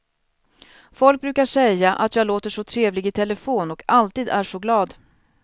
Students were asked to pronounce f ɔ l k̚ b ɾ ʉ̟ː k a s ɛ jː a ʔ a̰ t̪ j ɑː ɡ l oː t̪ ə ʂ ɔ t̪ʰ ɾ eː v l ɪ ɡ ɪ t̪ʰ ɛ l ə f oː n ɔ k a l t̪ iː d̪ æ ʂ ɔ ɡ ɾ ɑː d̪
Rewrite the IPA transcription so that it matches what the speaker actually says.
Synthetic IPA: f ɔ l k̚ b ɾ ʉ̟ː k a ʂ ɛ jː a ʔ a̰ t̪ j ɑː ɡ l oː t̪ ə ʂ ɔ t̪ʰ ɾ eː v l ɪ ɡ ɪ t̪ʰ ɛ l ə f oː n ɔ k a l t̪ iː d̪ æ ʂ ɔ ɡ l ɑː d̪